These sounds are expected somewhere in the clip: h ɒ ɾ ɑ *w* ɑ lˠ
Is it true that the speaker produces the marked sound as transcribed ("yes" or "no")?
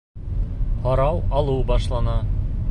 yes